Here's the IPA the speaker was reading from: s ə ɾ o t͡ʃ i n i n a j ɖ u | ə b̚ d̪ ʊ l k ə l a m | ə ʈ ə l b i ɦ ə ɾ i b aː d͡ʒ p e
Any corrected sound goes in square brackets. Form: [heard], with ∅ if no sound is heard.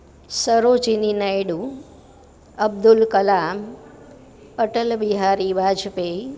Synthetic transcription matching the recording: s ə ɾ o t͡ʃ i n i n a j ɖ u | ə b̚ d̪ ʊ l k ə l a m | ə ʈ ə l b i ɦ [a] ɾ i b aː d͡ʒ p e